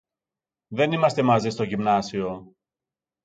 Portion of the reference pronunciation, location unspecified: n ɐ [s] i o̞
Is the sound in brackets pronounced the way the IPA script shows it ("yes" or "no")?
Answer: yes